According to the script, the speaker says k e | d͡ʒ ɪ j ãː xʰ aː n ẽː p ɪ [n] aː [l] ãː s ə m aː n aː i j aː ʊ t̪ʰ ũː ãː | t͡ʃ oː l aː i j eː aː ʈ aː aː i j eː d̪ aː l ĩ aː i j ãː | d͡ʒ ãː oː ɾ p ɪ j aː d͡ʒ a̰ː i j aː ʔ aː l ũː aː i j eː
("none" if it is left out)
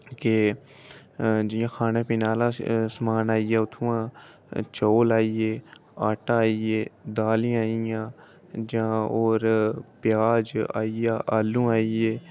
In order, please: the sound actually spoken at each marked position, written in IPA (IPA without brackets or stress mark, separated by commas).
n, l